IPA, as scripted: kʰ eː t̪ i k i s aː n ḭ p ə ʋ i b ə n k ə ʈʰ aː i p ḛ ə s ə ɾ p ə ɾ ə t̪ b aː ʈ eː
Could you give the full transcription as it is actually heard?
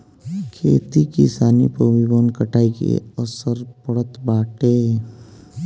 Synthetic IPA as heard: kʰ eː t̪ i k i s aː n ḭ p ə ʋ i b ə n k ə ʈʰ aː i k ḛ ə s ə ɾ p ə ɽ ə t̪ b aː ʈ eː